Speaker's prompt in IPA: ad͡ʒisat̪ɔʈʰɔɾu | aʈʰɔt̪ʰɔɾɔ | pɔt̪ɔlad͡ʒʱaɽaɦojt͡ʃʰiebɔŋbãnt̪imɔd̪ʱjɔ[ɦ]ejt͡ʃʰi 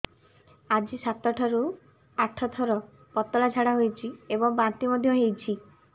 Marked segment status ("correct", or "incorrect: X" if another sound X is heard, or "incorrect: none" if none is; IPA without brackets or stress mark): correct